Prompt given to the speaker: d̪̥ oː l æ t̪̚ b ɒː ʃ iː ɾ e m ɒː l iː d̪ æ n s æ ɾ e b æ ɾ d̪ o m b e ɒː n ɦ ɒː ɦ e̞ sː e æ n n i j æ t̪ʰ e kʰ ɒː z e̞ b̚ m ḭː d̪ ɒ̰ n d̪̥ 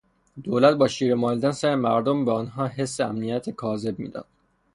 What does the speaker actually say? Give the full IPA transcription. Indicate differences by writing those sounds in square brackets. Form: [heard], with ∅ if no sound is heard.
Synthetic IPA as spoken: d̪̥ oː l æ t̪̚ b ɒː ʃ iː ɾ e m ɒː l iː d̪ æ n s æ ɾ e [m] æ ɾ d̪ o m b e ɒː n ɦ ɒː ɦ e̞ sː e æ [m] n i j æ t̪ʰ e kʰ ɒː z e̞ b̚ m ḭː d̪ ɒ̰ n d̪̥